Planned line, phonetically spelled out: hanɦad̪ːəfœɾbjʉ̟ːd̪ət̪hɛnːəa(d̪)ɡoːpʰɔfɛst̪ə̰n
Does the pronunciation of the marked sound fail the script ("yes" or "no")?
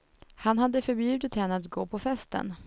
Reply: yes